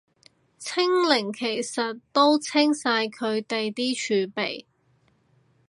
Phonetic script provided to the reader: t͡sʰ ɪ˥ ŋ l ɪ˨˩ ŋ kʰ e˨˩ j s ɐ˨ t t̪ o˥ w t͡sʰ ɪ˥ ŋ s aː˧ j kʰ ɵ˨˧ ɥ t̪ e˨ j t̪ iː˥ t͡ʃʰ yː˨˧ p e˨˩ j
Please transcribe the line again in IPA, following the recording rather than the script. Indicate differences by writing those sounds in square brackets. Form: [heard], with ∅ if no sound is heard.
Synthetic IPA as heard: t͡sʰ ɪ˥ ŋ l ɪ˨˩ ŋ kʰ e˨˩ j s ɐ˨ t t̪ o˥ w t͡sʰ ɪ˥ ŋ s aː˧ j kʰ ɵ˨˧ ɥ t̪ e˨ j t̪ iː˥ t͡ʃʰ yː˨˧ p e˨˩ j